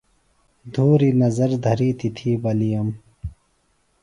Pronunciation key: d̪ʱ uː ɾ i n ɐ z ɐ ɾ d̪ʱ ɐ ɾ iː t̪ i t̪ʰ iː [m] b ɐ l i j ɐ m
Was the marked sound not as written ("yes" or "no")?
yes